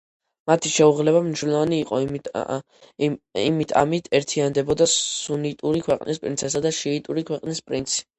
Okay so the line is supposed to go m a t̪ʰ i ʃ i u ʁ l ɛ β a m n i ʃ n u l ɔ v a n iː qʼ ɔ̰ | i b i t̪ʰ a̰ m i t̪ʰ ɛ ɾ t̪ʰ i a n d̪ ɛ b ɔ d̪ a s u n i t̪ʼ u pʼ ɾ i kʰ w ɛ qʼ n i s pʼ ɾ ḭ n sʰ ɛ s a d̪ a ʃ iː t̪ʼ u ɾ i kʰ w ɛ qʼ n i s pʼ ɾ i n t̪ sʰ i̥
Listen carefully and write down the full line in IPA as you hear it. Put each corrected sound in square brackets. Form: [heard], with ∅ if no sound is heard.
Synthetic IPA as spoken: m a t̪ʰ i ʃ [ɛ] u ʁ l ɛ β a m n i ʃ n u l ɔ v a n iː qʼ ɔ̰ | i [m] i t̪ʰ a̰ m i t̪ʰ ɛ ɾ t̪ʰ i a n d̪ ɛ b ɔ d̪ a s u n i t̪ʼ u [∅] ɾ i kʰ w ɛ qʼ n i s pʼ ɾ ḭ n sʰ ɛ s a d̪ a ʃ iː t̪ʼ u ɾ i kʰ w ɛ qʼ n i s pʼ ɾ i n t̪ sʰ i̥